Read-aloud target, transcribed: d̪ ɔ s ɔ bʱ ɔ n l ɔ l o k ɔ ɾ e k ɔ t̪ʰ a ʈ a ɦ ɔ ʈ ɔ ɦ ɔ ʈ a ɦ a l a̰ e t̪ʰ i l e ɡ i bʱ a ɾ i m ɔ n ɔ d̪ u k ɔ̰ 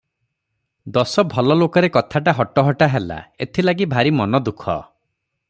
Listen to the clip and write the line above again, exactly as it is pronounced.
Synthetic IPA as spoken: d̪ ɔ s ɔ bʱ ɔ l ɔ l o k ɔ ɾ e k ɔ t̪ʰ a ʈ a ɦ ɔ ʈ ɔ ɦ ɔ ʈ a ɦ e l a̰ e t̪ʰ i l a ɡ i bʱ a ɾ i m ɔ n ɔ d̪ u kʰ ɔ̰